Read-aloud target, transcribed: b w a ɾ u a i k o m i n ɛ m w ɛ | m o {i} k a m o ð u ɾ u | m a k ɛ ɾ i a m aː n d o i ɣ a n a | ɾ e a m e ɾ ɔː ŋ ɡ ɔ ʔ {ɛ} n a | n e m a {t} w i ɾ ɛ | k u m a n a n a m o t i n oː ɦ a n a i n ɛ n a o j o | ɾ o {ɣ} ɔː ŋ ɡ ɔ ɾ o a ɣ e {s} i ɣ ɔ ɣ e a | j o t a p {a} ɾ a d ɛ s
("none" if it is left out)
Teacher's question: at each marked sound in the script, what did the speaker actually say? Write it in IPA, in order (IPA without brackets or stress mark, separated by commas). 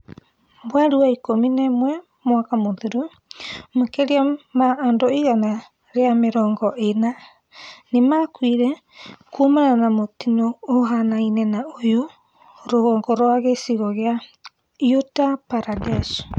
a, e, k, ɣ, s, a